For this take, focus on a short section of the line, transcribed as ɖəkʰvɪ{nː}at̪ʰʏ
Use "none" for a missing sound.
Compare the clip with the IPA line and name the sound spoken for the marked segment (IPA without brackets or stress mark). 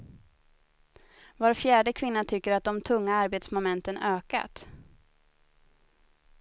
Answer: nː